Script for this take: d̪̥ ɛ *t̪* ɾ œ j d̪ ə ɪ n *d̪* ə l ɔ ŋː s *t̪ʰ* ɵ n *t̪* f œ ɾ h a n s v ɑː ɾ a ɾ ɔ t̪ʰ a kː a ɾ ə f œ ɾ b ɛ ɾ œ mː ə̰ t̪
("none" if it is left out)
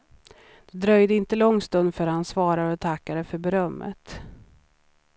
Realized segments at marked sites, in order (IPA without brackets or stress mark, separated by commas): d̪, t̪, t̪, d̪